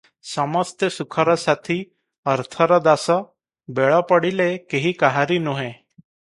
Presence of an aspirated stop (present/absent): present